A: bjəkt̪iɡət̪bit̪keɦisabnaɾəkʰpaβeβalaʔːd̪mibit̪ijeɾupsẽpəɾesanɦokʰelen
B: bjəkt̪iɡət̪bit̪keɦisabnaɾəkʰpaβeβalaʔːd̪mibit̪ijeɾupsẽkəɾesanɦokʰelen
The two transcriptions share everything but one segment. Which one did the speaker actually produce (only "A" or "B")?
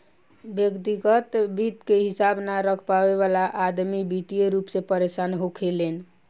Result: A